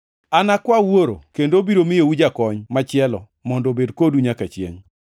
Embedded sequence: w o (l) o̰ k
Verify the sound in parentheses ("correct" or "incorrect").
incorrect